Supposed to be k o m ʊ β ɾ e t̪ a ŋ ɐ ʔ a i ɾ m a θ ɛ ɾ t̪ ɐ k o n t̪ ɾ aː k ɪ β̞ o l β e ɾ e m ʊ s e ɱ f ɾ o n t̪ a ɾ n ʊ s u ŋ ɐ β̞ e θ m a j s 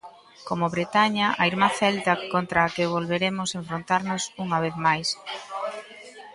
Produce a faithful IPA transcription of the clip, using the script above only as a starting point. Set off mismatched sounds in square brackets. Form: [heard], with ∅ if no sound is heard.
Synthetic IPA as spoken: k o m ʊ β ɾ e t̪ a [ɲ] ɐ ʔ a i ɾ m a θ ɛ [l] t̪ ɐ k o n t̪ ɾ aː k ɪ β̞ o l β e ɾ e m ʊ s e ɱ f ɾ o n t̪ a ɾ n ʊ s u ŋ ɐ β̞ e θ m a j s